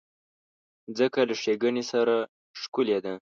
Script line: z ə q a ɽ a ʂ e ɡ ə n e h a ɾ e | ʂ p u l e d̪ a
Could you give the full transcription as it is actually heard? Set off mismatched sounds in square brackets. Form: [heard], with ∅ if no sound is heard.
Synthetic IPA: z ə [k] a [l] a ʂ e ɡ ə n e [s] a ɾ [a] | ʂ [k] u l e d̪ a